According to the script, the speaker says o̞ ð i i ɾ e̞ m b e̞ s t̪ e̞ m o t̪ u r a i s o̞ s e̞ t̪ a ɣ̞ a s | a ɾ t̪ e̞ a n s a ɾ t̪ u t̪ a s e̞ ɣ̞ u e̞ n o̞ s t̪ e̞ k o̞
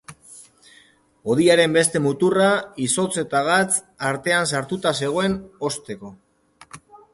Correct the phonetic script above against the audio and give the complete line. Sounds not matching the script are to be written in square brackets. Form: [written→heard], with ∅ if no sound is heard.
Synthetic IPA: o̞ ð i [i→a] ɾ e̞ m b e̞ s t̪ e̞ m [o→u] t̪ u r a i s o̞ [s→t͡s] e̞ t̪ a ɣ̞ a [s→t͡s] | a ɾ t̪ e̞ a n s a ɾ t̪ u t̪ a s e̞ ɣ̞ [u→o] e̞ n o̞ s t̪ e̞ k o̞